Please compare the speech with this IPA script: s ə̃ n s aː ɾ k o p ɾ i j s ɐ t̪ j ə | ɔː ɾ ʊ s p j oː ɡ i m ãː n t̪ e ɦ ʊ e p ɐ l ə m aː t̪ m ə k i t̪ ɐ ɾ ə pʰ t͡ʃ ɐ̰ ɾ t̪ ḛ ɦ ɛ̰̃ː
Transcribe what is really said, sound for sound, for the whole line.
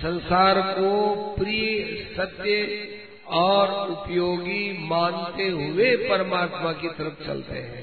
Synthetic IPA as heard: s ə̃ n s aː ɾ k o p ɾ i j s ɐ t̪ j ə | ɔː ɾ ʊ p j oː ɡ i m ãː n t̪ e ɦ ʊ e p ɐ ɾ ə m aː t̪ m a k i t̪ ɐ ɾ ə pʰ t͡ʃ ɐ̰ l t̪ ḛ ɦ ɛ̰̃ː